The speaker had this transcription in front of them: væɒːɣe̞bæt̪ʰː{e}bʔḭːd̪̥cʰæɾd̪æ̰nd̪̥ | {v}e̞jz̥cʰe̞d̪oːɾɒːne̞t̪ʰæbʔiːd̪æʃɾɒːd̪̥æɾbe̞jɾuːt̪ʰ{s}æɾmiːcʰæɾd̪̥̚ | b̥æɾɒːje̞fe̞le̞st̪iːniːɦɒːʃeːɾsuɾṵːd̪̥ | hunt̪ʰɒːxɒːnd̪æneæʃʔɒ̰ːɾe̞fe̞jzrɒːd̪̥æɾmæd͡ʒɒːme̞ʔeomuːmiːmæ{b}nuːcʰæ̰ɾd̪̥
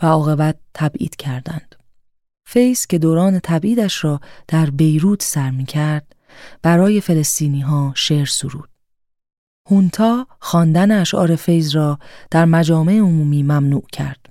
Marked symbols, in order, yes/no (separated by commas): no, no, yes, no